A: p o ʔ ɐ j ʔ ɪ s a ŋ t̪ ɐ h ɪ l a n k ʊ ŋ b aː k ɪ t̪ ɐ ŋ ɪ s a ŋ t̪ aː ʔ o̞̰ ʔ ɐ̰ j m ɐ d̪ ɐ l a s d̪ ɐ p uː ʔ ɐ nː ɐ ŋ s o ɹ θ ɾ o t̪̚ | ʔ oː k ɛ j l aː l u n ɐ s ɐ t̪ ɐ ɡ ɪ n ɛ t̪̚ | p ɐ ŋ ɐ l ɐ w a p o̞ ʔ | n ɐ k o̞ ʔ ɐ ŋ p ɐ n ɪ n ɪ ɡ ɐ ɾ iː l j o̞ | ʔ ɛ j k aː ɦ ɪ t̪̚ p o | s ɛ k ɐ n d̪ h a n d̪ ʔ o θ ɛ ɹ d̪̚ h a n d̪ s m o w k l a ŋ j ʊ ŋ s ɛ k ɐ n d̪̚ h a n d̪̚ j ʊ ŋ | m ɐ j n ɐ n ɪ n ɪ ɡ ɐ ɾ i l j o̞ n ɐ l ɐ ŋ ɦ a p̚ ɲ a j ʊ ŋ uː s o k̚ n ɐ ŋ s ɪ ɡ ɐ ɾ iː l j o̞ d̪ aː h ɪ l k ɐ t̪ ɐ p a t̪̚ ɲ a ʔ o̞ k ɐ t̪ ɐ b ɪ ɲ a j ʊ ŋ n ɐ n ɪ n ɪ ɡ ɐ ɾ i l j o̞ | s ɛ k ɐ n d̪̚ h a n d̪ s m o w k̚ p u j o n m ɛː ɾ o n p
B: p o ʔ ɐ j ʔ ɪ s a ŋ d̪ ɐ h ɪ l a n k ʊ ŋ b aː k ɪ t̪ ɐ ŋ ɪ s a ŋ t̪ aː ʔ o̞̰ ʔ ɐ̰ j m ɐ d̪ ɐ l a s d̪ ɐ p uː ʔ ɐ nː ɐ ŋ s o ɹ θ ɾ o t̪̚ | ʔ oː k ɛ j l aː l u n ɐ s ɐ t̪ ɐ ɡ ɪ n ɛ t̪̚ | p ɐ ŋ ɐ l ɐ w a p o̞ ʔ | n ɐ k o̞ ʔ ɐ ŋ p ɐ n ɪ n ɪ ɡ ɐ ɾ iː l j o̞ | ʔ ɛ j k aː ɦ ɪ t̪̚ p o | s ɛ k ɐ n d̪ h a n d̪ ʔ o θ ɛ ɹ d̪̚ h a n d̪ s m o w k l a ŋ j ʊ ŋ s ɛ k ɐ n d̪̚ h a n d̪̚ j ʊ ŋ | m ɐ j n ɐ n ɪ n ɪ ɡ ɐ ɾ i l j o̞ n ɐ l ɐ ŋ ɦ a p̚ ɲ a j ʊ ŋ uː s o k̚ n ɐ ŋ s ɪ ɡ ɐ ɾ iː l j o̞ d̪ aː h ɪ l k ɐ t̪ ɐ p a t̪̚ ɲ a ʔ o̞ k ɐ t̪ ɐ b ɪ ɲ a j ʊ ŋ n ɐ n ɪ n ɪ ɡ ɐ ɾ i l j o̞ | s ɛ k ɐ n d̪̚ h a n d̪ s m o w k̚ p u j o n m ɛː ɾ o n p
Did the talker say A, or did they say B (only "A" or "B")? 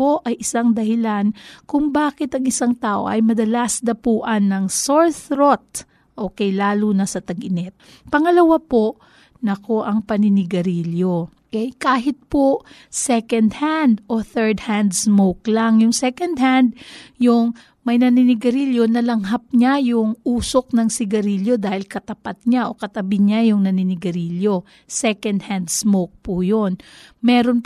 B